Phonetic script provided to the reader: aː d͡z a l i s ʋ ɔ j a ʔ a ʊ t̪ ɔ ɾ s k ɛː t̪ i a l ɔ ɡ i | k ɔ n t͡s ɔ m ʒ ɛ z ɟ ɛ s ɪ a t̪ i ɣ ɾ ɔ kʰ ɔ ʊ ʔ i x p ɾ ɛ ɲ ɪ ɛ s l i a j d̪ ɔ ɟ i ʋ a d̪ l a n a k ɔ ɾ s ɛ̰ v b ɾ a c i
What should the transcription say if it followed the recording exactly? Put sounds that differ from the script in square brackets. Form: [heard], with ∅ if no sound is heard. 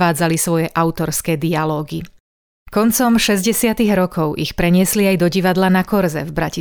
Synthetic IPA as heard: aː d͡z a l i s ʋ ɔ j [ɛ] ʔ a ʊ t̪ ɔ ɾ s k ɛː [d̪] i a l [ɔː] ɡ i | k ɔ n t͡s ɔ m [ʃ] ɛ z ɟ ɛ s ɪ a t̪ i ɣ ɾ ɔ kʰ ɔ ʊ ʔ i x p ɾ ɛ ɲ ɪ ɛ s l i a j d̪ ɔ ɟ i ʋ a d̪ l a n a k ɔ ɾ [z] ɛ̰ v b ɾ a c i